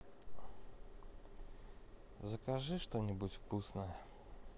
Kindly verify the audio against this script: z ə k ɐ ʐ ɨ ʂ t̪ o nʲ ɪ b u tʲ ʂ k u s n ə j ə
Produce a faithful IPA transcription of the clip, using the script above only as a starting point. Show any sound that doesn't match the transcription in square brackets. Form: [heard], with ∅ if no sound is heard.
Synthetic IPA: z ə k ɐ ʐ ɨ ʂ t̪ o nʲ ɪ b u tʲ [f] k u s n ə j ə